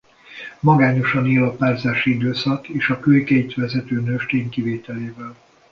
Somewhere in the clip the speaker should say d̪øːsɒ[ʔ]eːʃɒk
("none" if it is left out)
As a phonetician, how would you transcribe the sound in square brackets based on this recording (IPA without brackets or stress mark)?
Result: k